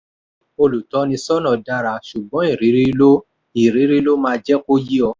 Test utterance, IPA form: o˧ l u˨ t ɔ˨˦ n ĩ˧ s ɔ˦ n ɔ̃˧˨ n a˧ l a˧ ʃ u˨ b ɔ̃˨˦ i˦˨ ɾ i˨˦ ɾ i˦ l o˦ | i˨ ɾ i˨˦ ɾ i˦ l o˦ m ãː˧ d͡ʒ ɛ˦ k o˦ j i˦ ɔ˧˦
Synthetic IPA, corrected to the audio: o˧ l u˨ t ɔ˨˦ n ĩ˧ s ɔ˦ n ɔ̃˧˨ d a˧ ɾ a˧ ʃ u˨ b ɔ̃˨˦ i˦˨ ɾ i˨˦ ɾ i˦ l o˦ | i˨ ɾ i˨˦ ɾ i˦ l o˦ m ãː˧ d͡ʒ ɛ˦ k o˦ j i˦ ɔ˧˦